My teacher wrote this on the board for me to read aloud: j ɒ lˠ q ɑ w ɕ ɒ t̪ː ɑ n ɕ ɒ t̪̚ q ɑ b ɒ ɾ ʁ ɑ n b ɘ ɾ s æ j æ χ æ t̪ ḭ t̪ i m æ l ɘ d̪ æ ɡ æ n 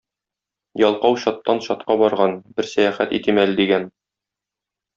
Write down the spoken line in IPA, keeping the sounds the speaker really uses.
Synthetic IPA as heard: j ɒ lˠ q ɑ w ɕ ɒ t̪ː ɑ n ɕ ɒ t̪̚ q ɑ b ɒ ɾ ʁ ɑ n b ɘ ɾ s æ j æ χ æ t̪ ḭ t̪ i m æ l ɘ d̪ i ɡ æ n